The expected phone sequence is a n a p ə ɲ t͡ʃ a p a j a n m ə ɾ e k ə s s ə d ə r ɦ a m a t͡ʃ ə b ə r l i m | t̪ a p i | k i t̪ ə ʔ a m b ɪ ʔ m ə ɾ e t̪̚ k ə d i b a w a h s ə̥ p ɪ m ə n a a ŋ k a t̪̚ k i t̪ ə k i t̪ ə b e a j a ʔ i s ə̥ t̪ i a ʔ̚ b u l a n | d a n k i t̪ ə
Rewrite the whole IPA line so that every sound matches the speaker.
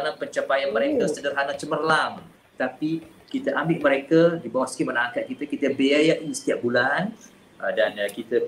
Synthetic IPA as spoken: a n a p ə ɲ t͡ʃ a p a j a n m ə ɾ e k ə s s ə d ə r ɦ a n a t͡ʃ ə m ə r l a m | t̪ a p i | k i t̪ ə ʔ a m b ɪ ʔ m ə ɾ e k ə d i b a w a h s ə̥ k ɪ m ə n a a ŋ k a t̪̚ k i t̪ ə k i t̪ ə b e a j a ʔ i s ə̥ t̪ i a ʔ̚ b u l a n | d a n k i t̪ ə